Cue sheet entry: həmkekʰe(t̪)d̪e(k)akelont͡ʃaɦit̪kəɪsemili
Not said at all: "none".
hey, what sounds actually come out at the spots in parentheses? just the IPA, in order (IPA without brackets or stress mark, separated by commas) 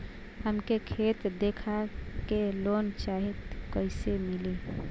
t̪, kʰ